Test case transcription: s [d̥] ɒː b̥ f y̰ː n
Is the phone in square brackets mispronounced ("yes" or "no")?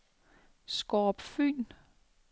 yes